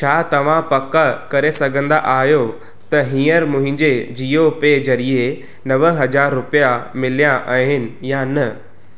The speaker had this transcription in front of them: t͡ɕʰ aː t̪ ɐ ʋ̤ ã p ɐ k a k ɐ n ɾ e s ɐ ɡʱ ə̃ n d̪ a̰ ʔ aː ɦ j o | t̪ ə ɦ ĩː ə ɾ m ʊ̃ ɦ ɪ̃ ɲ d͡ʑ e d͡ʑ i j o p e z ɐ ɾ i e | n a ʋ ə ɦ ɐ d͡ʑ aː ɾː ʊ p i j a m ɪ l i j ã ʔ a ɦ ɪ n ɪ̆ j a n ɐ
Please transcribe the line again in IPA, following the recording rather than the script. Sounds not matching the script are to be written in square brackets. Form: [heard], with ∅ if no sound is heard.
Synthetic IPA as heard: t͡ɕʰ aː t̪ ɐ ʋ̤ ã p ɐ k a k ɐ [∅] ɾ e s ɐ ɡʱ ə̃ n d̪ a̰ ʔ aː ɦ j o | t̪ [ɐ] ɦ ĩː ə ɾ m ʊ̃ ɦ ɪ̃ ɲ d͡ʑ e d͡ʑ i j o p e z ɐ ɾ i e | n [ɐ] ʋ ə ɦ ɐ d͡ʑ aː ɾː ʊ p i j a m ɪ l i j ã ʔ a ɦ ɪ n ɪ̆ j a n ɐ

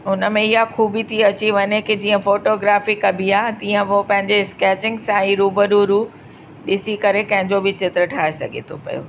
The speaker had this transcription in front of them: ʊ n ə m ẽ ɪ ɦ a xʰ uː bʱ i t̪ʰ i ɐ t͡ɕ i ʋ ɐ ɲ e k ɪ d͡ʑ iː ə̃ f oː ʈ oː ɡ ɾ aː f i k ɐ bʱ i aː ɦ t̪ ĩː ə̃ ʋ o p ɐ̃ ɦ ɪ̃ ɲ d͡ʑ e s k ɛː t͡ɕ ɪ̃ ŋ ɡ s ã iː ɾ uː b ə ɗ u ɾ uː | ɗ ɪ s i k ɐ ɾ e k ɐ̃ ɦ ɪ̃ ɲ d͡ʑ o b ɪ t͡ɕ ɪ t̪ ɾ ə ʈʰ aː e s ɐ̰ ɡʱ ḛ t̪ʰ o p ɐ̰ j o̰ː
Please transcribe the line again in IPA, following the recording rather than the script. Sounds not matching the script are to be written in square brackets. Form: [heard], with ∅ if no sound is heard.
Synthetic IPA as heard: ʊ n ə m ẽ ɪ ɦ a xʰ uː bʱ i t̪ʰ i ɐ t͡ɕ i ʋ ɐ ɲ e k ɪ d͡ʑ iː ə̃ f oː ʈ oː ɡ ɾ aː f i k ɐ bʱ i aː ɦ t̪ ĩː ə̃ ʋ o p ɐ̃ ɦ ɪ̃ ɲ d͡ʑ e s k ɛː t͡ɕ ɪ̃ ŋ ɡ s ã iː ɾ uː b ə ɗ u ɾ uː | ɗ ɪ s i k ɐ ɾ e k ɐ̃ ɦ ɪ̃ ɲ d͡ʑ o b ɪ t͡ɕ ɪ t̪ ɾ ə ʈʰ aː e s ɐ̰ ɡʱ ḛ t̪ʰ o p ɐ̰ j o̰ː

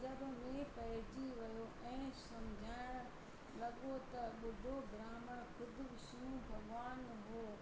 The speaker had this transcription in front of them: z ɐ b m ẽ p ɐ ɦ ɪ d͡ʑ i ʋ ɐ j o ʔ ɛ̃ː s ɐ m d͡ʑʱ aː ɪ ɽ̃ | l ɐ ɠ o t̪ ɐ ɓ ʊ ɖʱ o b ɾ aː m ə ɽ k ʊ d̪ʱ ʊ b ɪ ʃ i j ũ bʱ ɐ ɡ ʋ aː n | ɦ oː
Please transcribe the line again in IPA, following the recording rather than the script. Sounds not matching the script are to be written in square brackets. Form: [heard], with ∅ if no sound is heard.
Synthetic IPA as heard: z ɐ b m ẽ p ɐ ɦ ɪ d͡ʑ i ʋ ɐ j o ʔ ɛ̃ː s ɐ m d͡ʑʱ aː ɪ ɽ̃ | l ɐ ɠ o t̪ ɐ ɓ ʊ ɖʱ o b ɾ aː m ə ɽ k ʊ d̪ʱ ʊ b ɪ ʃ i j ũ bʱ ɐ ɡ ʋ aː n | ɦ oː

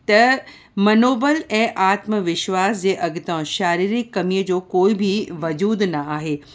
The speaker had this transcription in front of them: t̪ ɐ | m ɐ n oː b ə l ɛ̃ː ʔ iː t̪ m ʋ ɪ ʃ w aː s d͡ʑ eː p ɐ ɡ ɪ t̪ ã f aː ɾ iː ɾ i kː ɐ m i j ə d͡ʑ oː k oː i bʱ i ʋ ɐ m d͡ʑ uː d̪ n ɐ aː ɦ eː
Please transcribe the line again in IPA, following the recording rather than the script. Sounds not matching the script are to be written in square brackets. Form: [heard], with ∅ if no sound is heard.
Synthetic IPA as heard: t̪ ɐ | m ɐ n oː b ə l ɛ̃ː ʔ [aː] t̪ m ʋ ɪ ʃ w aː s d͡ʑ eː [ʔ] ɐ ɡ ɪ t̪ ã [ʃ] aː ɾ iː ɾ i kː ɐ m i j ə d͡ʑ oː k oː i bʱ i ʋ ɐ [∅] d͡ʑ uː d̪ n ɐ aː ɦ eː

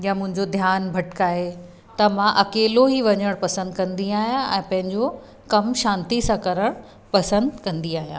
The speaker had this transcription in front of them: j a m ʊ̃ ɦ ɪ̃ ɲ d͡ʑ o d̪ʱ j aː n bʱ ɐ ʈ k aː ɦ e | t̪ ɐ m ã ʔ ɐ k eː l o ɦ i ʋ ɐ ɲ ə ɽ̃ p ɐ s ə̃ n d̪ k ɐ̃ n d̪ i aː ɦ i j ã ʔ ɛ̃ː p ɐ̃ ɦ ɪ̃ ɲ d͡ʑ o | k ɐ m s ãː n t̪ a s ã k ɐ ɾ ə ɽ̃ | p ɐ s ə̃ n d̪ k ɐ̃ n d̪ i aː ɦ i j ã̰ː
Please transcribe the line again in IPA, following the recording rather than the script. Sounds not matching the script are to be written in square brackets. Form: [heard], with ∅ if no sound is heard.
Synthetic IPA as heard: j a m ʊ̃ ɦ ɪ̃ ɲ d͡ʑ o d̪ʱ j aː n bʱ ɐ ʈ k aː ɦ e | t̪ ɐ m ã ʔ ɐ k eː l o ɦ i ʋ ɐ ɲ ə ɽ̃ p ɐ s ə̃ n d̪ k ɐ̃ n d̪ i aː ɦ i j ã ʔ ɛ̃ː p ɐ̃ ɦ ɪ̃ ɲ d͡ʑ o | k ɐ m [ʃ] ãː n t̪ [i] s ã k ɐ ɾ ə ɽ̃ | p ɐ s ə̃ n d̪ k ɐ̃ n d̪ i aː ɦ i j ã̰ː

